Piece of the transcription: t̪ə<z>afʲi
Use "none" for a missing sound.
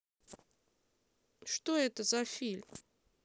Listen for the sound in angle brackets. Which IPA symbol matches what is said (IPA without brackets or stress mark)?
z